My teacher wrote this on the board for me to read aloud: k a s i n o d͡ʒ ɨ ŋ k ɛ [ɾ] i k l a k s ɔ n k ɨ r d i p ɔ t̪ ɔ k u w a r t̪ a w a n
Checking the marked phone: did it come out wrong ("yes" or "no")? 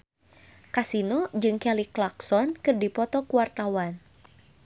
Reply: yes